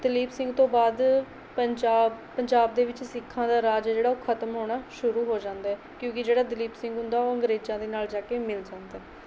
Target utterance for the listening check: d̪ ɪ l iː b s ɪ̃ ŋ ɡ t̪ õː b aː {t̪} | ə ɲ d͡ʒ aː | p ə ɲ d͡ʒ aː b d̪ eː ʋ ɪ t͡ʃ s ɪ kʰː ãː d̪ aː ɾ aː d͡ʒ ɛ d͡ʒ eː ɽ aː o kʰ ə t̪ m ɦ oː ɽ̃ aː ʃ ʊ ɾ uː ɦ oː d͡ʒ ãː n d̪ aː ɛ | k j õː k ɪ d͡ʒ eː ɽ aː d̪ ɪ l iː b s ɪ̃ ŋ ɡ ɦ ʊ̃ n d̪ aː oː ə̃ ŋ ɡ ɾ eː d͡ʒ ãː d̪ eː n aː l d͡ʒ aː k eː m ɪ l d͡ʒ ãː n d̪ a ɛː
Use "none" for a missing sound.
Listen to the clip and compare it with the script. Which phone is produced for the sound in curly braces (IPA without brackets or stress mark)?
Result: d̪